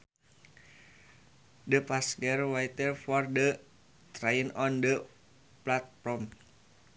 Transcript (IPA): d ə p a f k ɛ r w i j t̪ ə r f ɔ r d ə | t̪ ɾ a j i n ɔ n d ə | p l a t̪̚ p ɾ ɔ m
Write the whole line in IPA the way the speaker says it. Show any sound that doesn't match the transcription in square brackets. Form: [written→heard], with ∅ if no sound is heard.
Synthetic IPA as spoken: d ə p a [f→s] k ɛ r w [i→a] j t̪ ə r f ɔ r d ə | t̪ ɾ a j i n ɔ n d ə | p l a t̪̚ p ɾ ɔ m